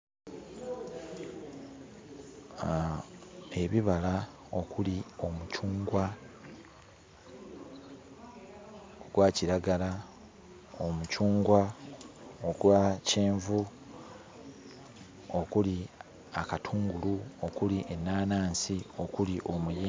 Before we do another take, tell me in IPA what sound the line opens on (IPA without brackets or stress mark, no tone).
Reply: e̞